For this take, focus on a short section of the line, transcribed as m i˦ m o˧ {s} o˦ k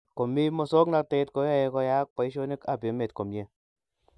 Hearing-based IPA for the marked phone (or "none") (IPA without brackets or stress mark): s